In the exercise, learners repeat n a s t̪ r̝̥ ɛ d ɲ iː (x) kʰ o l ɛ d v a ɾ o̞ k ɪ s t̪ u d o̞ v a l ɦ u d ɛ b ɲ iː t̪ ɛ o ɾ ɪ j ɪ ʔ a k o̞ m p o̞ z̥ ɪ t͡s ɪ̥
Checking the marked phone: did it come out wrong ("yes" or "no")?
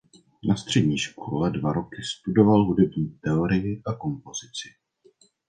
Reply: yes